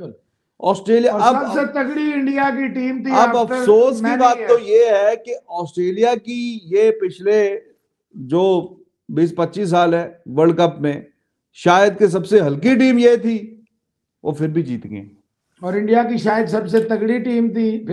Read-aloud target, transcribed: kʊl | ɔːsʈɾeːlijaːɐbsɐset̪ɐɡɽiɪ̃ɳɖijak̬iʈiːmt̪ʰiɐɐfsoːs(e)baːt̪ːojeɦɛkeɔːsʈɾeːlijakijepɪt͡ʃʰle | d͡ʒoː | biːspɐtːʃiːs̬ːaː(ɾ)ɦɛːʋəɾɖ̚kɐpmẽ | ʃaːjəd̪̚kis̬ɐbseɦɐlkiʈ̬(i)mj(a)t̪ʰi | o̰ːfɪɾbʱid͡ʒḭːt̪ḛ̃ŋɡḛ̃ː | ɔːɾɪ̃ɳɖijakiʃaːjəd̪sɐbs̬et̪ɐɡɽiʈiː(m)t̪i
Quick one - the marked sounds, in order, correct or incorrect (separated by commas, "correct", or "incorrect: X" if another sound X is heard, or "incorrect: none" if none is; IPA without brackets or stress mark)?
incorrect: i, incorrect: l, incorrect: iː, incorrect: e, correct